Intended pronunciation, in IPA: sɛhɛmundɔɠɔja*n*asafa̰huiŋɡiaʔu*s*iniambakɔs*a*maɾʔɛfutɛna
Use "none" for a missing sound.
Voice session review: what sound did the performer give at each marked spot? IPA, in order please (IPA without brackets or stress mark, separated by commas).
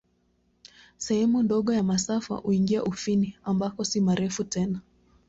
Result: m, f, i